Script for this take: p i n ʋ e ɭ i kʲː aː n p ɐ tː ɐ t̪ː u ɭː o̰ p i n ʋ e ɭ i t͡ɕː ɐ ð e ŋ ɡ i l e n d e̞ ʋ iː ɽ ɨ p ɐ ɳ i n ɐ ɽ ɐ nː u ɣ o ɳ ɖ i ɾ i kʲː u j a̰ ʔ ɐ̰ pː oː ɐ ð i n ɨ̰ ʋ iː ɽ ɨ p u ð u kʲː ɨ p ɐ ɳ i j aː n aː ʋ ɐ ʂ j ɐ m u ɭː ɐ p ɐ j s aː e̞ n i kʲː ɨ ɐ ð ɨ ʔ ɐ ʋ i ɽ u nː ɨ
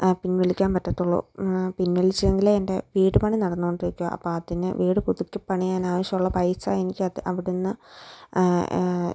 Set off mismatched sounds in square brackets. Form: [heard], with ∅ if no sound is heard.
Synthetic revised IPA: p i n ʋ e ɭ i kʲː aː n p ɐ tː ɐ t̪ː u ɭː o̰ p i n ʋ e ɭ i t͡ɕː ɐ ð e ŋ ɡ i l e n d e̞ ʋ iː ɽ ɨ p ɐ ɳ i n ɐ ɽ ɐ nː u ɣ o ɳ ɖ i ɾ i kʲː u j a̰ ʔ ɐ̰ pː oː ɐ ð i n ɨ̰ ʋ iː ɽ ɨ p u ð u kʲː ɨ p ɐ ɳ i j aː n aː ʋ ɐ [ɕ] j ɐ m u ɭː ɐ p ɐ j s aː e̞ n i kʲː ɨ ɐ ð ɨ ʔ ɐ ʋ i ɽ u nː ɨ